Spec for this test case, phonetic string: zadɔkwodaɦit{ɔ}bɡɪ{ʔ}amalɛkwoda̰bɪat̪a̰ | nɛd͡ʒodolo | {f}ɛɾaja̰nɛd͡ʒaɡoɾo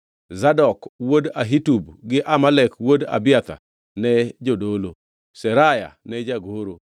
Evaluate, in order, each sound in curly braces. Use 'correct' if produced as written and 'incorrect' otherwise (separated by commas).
incorrect, correct, incorrect